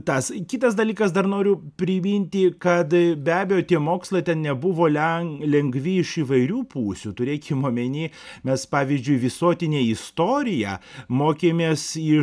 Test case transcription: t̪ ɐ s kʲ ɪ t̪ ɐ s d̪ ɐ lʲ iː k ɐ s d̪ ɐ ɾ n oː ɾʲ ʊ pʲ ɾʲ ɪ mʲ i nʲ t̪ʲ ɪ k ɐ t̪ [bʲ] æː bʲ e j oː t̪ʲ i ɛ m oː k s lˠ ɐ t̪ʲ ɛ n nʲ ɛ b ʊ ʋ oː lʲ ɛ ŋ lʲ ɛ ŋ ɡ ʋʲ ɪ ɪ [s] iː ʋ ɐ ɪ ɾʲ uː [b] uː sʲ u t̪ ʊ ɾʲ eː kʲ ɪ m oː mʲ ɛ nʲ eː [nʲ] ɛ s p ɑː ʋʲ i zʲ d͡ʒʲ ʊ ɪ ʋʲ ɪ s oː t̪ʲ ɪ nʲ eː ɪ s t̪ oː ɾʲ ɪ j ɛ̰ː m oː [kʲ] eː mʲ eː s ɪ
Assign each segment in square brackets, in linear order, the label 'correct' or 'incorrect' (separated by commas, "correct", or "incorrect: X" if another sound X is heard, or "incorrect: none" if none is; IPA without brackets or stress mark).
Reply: correct, incorrect: ʃ, incorrect: p, incorrect: mʲ, correct